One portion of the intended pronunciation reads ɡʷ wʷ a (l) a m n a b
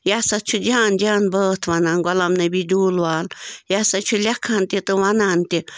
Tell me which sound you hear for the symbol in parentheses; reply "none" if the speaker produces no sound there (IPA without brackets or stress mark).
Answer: l